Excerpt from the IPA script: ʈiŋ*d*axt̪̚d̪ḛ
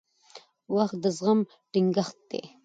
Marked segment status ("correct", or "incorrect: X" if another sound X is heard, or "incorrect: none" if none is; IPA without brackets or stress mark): incorrect: ɡ